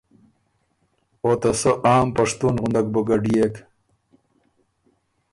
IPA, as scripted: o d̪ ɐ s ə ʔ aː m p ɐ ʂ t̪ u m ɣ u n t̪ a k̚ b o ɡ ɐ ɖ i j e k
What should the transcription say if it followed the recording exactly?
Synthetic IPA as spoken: o t̪ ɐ s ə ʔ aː m p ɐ ʂ t̪ u n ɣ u n d̪ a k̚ b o ɡ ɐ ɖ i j e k